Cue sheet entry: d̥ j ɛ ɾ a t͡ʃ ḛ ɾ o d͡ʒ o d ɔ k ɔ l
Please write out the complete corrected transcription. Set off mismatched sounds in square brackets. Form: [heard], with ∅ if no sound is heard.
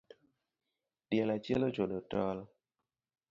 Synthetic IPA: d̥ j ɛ [l] a t͡ʃ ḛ [l] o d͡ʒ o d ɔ [t] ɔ l